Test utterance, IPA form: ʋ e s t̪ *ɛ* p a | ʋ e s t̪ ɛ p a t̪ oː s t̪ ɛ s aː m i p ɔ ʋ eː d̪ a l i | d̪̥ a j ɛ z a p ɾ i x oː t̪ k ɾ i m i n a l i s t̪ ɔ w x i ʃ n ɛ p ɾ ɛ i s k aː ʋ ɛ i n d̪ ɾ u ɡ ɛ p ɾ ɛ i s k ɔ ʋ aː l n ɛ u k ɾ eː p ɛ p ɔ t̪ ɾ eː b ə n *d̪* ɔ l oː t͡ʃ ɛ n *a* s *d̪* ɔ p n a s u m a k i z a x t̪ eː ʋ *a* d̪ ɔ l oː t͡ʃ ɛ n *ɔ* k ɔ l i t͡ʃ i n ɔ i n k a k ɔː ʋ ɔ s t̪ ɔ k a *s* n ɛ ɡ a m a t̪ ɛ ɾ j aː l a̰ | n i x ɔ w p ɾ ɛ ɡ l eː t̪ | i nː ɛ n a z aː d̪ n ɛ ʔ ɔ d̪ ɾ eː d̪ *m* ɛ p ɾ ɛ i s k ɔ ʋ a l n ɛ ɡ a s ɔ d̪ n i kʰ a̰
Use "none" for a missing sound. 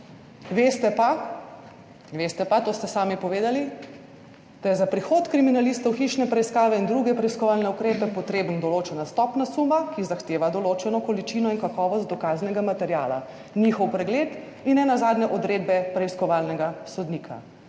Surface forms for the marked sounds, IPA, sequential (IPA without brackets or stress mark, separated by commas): ɛ, d̪, a, t̪, a, ɔ, z, b